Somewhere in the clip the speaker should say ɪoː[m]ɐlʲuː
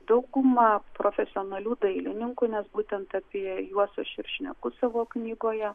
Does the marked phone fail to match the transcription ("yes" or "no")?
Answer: yes